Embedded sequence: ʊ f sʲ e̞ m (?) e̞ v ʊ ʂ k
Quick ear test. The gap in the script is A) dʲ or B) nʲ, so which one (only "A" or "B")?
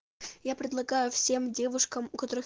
A